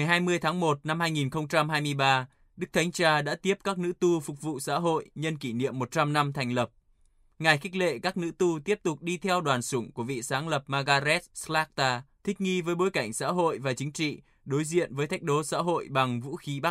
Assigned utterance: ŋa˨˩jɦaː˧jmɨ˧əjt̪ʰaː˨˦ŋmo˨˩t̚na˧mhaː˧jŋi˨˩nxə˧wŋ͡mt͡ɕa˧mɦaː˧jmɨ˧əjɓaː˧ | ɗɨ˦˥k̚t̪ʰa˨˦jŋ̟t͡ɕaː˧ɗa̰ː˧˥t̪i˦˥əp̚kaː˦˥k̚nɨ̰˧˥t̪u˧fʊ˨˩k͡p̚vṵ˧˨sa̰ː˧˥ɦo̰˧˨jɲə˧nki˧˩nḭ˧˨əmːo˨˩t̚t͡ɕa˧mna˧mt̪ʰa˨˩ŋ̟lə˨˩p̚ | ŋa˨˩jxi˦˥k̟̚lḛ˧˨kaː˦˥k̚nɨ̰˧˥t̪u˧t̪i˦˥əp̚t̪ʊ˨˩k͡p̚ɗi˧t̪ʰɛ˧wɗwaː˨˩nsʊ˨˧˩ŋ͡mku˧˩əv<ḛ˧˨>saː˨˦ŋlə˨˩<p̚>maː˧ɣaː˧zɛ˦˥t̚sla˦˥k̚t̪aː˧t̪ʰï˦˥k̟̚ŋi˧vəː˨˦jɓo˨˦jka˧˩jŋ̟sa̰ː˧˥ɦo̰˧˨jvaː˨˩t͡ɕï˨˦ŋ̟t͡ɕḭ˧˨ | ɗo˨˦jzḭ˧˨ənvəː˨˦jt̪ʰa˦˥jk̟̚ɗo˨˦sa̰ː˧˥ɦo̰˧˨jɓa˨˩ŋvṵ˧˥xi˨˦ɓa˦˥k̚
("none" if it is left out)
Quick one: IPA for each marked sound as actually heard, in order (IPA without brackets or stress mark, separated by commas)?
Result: ḭ˧˨, p̚